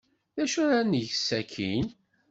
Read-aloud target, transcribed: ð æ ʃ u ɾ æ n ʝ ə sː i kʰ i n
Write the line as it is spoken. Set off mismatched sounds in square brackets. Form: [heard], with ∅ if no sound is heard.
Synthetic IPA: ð æ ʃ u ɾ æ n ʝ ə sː [æ] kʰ i n